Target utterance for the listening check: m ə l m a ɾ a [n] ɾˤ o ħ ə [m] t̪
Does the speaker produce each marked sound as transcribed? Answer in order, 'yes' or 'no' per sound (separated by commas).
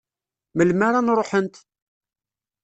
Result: yes, no